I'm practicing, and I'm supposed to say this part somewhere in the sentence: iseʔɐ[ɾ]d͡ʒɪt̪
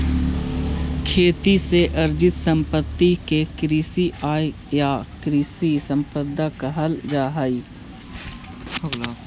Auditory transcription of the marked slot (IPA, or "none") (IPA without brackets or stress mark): ɾ